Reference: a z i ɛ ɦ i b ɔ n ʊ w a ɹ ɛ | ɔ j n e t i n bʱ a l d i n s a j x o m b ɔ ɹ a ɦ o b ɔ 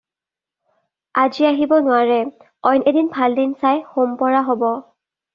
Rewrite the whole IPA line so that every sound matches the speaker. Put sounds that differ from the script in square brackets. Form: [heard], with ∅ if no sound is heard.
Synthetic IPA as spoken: a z i [a] ɦ i b ɔ n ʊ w a ɹ ɛ | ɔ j n e [d] i n bʱ a l d i n s a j x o m [p] ɔ ɹ a ɦ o b ɔ

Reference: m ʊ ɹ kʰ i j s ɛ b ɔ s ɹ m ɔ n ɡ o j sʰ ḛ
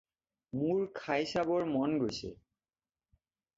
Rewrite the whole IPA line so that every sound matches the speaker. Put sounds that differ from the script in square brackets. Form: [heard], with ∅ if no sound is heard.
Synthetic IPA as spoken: m [u] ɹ kʰ [a] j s [a] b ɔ [∅] ɹ m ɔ n ɡ o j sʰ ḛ

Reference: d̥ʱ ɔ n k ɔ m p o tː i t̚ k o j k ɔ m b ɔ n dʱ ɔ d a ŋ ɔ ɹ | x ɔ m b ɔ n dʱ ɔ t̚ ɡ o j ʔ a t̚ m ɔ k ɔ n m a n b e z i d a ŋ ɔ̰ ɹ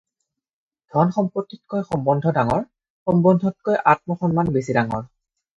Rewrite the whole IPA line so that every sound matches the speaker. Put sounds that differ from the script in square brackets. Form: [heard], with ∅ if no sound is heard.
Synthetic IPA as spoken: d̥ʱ ɔ n [x] ɔ m p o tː i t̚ k o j [x] ɔ m b ɔ n dʱ ɔ d a ŋ ɔ ɹ | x ɔ m b ɔ n dʱ ɔ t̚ [k] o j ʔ a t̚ m ɔ [x] ɔ n m a n b e [s] i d a ŋ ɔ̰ ɹ

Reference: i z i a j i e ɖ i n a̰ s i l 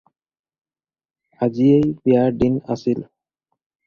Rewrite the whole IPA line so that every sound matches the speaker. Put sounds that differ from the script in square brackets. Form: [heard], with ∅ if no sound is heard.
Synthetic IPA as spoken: [a] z i [e] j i [a] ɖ i n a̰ s i l

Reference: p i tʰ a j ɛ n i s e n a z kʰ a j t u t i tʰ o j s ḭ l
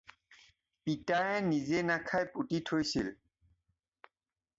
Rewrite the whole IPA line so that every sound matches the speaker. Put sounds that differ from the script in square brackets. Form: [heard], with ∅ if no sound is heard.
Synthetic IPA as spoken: p i [t] a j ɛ n i [z] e n a [∅] kʰ a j [p] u t i tʰ o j s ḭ l

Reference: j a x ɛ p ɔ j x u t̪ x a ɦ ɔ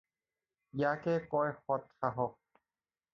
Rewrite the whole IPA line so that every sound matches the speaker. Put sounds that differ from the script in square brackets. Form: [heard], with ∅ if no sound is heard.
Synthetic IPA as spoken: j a [k] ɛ [k] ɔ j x [ɔ] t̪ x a ɦ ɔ

